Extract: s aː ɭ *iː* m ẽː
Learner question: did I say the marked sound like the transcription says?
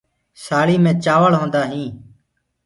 yes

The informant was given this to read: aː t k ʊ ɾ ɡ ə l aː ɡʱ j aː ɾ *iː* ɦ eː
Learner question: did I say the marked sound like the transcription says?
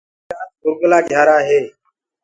no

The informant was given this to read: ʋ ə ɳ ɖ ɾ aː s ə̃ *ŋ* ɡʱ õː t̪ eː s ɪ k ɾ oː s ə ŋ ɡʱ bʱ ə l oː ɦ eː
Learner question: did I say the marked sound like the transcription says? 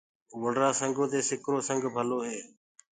yes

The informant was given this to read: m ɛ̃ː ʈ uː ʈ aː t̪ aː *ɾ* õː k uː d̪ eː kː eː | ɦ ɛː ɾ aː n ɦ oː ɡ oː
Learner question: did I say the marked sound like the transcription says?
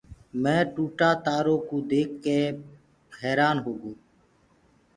yes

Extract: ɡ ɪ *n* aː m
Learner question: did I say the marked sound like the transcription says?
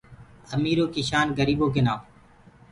yes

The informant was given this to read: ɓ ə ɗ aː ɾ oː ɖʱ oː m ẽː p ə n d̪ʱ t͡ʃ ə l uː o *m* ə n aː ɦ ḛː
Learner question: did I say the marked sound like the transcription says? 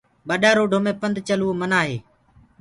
yes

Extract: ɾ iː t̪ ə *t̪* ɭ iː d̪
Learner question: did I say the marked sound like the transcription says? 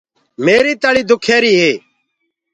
no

